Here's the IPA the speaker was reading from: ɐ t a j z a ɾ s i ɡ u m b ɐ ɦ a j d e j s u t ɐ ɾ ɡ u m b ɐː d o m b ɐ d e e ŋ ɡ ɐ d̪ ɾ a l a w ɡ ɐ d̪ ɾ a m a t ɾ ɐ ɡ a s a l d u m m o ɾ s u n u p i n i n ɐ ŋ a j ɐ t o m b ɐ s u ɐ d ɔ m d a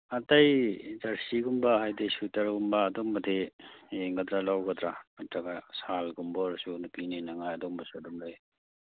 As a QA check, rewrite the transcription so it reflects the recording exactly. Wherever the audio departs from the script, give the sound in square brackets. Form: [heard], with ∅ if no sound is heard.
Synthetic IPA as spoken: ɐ t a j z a ɾ s i ɡ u m b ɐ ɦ a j d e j s u t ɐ ɾ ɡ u m b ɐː d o m b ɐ d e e ŋ ɡ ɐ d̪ ɾ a l a w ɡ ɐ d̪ ɾ a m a t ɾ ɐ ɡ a s a l [ɡ] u m [b] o ɾ s u n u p i n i n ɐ ŋ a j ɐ [d] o m b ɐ s u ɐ d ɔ m d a